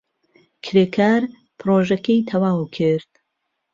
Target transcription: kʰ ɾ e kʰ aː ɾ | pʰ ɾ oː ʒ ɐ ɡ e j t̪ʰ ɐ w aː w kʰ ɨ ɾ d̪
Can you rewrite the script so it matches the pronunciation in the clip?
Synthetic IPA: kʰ ɾ e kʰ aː ɾ | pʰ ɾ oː ʒ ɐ k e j t̪ʰ ɐ w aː w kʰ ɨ ɾ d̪